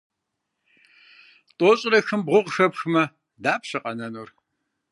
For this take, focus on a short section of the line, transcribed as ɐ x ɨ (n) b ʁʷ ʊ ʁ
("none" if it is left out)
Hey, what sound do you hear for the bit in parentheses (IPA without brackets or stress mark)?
m